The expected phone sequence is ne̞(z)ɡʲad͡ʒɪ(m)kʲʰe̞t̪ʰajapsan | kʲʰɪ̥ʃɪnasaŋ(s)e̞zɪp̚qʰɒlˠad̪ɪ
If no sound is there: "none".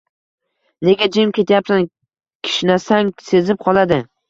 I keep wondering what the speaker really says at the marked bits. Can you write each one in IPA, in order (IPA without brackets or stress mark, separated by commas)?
none, m, s